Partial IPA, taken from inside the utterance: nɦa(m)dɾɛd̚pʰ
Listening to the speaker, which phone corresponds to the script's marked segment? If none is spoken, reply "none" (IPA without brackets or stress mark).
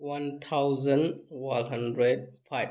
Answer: n